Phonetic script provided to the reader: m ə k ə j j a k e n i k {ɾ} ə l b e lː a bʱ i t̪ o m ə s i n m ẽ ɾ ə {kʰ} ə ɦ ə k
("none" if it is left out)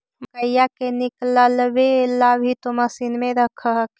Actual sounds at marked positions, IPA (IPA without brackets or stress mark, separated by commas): l, kʰ